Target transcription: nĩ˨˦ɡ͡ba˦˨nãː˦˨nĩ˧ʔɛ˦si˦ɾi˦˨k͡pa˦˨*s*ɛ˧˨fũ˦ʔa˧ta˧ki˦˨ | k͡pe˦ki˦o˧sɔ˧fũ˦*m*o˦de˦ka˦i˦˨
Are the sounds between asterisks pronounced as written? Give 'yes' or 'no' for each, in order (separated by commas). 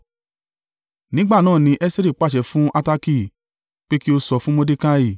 no, yes